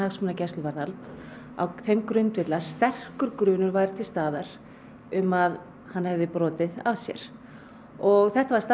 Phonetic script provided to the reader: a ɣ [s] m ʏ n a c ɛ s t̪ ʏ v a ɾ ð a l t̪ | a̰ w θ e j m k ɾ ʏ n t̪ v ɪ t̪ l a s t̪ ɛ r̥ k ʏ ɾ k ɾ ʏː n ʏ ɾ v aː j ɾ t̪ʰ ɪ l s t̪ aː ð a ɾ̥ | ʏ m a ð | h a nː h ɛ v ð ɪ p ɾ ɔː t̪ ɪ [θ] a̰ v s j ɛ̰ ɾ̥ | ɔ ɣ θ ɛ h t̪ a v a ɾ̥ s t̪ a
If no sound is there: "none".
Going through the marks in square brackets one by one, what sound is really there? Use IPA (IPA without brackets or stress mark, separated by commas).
s, ð